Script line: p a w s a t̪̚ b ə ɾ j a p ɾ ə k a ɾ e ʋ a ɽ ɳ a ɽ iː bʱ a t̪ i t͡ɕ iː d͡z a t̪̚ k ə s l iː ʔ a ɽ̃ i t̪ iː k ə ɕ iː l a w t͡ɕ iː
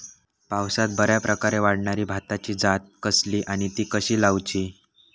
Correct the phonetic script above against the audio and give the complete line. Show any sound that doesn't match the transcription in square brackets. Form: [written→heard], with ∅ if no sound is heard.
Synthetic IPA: p a w s a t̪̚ b ə ɾ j a p ɾ ə k a ɾ e ʋ a ɽ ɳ a [ɽ→ɾ] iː bʱ a t̪ [i→a] t͡ɕ iː d͡z a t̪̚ k ə s l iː ʔ a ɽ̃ i t̪ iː k ə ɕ iː l a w t͡ɕ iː